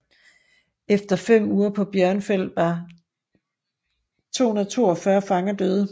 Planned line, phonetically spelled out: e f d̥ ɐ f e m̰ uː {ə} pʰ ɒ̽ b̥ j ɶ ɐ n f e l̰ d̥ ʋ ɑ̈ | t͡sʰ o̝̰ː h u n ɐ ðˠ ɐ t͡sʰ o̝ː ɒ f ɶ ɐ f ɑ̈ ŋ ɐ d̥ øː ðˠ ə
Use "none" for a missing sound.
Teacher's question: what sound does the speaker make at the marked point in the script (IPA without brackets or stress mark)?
ɐ